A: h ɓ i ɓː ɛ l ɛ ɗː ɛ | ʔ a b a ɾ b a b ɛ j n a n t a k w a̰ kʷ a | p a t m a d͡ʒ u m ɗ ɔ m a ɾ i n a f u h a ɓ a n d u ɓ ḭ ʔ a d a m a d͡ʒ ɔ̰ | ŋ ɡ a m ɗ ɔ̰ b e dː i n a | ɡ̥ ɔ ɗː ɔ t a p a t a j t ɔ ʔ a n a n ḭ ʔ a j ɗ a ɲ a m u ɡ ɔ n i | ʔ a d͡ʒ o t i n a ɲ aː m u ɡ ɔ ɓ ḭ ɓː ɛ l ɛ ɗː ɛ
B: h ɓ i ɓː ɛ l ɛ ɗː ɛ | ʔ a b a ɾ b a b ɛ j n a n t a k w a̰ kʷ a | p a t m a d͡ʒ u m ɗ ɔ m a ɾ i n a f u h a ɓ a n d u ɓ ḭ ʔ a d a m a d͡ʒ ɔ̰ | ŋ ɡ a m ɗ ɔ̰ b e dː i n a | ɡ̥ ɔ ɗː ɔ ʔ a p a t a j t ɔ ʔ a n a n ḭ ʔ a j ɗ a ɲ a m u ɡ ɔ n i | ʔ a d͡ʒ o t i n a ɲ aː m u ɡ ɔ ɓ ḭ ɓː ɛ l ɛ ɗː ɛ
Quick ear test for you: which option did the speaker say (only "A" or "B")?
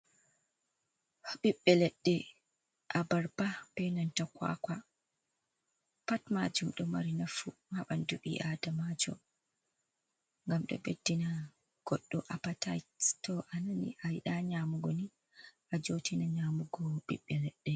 B